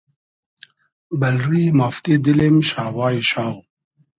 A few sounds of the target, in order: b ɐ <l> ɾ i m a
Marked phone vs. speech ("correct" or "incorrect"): correct